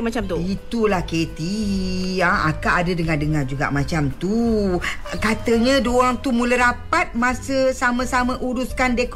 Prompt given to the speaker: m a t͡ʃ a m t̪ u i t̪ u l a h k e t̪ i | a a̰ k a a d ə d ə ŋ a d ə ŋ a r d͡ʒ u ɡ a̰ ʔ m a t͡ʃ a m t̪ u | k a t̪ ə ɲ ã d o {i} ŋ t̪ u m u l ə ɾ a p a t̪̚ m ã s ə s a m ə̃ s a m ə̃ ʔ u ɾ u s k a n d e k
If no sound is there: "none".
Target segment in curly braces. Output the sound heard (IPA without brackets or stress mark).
a